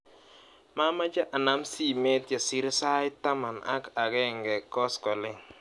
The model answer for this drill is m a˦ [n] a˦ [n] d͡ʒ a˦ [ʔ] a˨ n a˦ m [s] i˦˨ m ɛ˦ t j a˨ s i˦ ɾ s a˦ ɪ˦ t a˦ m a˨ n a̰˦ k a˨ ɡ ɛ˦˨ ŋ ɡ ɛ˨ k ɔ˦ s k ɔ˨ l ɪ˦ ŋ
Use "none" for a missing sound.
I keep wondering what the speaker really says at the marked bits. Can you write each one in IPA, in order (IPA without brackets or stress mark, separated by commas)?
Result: m, none, ʔ, s